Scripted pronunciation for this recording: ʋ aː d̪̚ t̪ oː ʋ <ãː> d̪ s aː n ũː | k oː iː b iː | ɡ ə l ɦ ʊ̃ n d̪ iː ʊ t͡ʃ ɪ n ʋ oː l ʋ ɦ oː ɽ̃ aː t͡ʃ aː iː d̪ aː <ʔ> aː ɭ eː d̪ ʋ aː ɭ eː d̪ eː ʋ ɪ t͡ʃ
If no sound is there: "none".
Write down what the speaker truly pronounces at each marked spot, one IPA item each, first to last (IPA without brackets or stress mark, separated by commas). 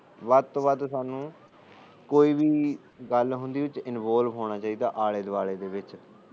aː, ʔ